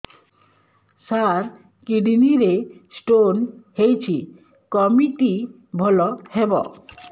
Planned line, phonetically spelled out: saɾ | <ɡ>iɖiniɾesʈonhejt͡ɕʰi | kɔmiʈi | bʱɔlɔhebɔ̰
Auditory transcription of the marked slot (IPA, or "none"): k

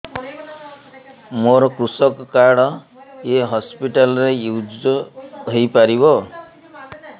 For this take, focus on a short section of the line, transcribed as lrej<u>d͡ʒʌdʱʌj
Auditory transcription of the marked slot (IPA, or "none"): u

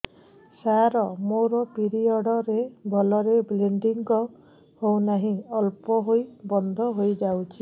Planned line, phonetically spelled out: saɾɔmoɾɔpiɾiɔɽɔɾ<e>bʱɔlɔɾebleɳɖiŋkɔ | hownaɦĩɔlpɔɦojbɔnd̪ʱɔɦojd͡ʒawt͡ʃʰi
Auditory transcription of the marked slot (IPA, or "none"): e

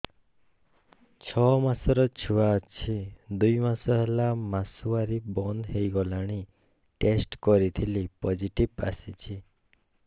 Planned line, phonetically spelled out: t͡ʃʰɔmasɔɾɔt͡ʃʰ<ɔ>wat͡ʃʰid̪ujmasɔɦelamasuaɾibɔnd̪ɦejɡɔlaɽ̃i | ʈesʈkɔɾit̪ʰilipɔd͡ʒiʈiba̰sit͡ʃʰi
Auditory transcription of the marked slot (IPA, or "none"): u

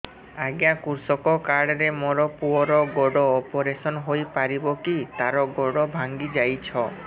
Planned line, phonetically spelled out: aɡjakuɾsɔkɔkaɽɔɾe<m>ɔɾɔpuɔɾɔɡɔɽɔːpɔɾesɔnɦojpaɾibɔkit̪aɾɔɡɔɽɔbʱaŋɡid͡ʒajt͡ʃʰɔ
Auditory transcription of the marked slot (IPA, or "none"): m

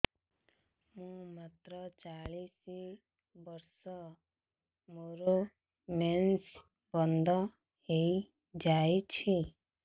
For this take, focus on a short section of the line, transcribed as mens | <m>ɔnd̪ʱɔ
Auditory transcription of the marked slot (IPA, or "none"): b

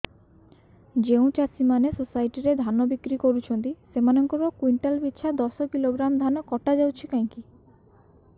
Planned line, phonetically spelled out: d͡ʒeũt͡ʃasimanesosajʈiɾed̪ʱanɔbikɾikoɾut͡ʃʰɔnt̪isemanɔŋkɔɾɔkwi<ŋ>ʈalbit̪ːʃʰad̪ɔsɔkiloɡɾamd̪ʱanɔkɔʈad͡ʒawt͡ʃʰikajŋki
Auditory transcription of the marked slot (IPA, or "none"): ɳ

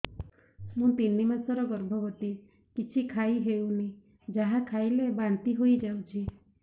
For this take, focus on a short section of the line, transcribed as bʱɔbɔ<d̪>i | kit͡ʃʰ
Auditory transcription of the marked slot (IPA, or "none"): t̪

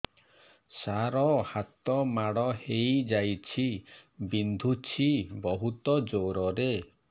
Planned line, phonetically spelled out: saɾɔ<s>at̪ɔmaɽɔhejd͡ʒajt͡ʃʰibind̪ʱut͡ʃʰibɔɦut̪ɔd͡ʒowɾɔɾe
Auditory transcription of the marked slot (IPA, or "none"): h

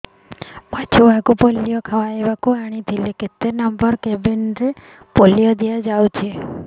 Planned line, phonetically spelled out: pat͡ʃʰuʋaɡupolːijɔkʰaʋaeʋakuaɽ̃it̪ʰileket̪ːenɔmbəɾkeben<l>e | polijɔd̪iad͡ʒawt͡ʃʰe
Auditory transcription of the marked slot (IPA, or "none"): ɾ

